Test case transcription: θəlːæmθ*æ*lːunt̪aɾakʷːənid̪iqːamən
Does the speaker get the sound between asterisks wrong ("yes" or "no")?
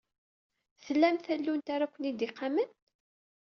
no